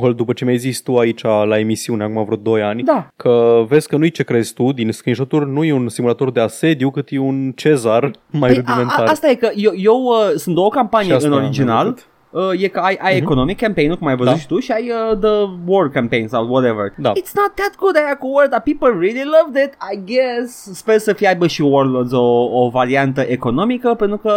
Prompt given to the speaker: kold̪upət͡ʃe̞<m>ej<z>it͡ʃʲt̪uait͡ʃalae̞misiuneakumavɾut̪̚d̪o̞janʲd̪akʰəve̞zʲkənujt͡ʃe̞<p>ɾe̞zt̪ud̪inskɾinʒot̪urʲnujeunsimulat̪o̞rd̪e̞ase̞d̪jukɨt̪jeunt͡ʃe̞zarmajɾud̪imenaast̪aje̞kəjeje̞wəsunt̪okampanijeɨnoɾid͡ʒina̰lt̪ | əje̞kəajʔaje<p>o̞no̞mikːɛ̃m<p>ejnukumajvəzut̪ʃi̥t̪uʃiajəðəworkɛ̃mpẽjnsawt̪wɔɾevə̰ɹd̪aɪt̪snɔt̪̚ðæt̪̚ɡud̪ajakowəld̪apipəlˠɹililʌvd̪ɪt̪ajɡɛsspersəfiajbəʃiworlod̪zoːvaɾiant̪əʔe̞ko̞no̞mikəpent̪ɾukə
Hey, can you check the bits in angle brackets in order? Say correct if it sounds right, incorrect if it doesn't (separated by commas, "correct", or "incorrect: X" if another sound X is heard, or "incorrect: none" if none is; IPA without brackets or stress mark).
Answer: correct, correct, incorrect: k, incorrect: k, correct